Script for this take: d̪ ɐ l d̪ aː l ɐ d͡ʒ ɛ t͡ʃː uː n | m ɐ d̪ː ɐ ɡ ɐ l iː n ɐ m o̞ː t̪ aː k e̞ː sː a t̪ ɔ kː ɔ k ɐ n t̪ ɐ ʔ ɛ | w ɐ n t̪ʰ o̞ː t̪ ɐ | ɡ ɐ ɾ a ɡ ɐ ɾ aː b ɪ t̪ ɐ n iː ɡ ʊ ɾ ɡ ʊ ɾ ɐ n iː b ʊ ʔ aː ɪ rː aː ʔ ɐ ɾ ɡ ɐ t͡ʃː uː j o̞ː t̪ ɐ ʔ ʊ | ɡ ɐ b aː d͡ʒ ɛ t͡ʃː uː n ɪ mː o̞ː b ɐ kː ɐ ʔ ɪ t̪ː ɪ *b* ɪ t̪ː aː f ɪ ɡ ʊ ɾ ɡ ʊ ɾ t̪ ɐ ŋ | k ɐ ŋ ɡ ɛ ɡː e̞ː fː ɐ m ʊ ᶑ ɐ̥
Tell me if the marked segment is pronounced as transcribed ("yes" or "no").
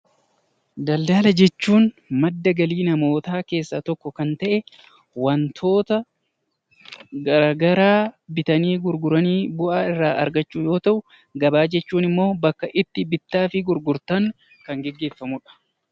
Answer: yes